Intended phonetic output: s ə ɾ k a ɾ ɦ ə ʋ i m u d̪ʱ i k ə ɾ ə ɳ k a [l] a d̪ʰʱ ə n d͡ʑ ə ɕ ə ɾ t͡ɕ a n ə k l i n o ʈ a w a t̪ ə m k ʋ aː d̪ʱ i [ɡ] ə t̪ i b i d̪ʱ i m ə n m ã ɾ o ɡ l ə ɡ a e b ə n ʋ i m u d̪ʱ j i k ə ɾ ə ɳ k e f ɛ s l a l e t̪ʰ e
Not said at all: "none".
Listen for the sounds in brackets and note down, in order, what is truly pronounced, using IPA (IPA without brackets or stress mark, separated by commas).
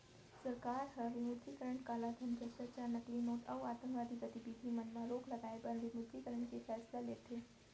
l, ɡ